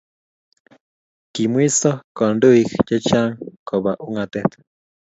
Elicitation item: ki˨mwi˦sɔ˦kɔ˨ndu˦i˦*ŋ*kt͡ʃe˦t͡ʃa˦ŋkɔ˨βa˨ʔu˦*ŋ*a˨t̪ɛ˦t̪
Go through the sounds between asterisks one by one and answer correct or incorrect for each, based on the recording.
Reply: incorrect: none, correct

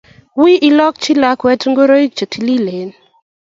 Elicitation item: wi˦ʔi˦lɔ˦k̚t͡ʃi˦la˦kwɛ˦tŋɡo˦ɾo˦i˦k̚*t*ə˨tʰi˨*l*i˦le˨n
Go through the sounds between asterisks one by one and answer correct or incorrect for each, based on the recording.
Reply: incorrect: t͡ʃ, correct

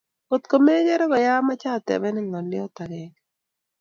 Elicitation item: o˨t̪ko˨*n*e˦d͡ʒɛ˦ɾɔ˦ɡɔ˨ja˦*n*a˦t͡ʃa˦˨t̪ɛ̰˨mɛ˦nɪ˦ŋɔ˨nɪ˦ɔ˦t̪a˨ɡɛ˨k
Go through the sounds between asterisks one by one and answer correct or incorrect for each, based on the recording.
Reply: incorrect: m, incorrect: m

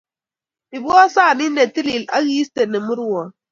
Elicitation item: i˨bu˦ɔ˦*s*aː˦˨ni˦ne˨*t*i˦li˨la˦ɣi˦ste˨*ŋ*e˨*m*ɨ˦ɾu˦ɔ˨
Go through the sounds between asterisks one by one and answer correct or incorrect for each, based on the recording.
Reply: correct, correct, incorrect: n, correct

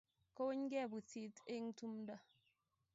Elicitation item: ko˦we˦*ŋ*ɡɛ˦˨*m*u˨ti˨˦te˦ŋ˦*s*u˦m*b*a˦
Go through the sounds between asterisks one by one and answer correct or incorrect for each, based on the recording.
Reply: incorrect: ɲ, incorrect: b, incorrect: t, incorrect: d

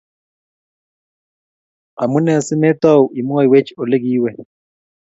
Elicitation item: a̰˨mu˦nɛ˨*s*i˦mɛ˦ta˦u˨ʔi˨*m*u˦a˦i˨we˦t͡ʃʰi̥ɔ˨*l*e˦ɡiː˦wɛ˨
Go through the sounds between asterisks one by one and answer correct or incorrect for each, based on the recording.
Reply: correct, correct, correct

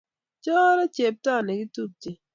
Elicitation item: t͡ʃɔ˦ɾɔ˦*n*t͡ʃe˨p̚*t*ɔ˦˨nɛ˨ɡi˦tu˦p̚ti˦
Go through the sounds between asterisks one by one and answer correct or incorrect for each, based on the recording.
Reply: incorrect: none, correct

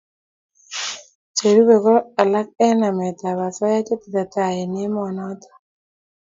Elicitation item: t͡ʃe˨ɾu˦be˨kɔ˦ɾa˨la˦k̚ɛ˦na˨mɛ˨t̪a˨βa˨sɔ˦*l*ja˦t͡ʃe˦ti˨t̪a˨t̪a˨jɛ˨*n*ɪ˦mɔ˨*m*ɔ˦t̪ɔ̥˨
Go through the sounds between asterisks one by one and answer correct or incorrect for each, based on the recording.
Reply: incorrect: none, correct, incorrect: n

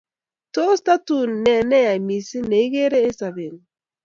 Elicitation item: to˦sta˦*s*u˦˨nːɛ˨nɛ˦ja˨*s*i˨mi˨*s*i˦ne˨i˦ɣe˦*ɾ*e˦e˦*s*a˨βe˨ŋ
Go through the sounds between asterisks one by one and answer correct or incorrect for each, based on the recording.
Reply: incorrect: t, incorrect: none, correct, correct, correct

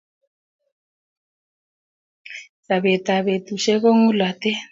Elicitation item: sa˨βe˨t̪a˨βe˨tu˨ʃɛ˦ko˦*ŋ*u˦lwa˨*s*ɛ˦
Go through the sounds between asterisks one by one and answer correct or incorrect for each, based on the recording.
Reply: correct, incorrect: t

